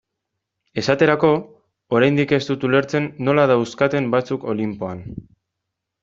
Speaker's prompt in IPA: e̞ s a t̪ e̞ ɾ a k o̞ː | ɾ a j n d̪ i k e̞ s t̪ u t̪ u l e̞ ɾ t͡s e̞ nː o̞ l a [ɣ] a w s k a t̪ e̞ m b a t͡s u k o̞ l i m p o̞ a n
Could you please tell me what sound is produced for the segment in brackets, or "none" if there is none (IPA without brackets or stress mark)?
ð